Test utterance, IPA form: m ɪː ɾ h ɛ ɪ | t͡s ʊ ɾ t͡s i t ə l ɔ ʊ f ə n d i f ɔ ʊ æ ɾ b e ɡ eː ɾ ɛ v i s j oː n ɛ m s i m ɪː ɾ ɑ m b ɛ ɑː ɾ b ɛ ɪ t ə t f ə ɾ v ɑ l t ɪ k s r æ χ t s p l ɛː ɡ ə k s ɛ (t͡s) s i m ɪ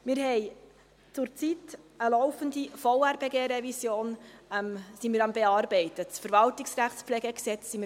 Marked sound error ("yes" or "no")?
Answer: no